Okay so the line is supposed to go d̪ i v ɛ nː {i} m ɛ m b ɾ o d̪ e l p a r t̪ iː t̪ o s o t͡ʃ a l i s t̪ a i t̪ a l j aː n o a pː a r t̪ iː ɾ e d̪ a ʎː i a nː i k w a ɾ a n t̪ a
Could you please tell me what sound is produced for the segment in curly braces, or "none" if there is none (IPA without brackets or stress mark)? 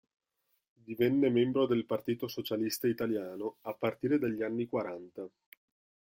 e